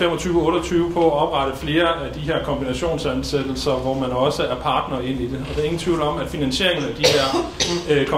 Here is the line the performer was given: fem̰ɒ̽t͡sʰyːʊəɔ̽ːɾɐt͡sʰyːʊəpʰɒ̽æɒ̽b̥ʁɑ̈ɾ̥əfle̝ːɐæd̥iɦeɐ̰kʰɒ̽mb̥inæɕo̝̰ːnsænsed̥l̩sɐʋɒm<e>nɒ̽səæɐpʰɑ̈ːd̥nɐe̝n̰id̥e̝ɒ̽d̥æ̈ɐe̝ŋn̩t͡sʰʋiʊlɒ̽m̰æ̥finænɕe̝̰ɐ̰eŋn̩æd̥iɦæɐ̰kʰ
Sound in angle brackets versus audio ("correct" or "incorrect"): incorrect